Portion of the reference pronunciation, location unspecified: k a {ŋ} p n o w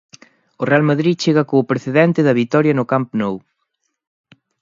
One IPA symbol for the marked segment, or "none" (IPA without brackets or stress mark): m